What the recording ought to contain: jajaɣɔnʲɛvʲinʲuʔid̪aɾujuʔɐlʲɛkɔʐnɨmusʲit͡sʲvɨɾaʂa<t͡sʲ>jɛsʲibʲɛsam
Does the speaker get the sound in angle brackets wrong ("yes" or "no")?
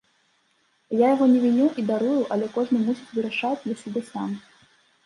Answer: no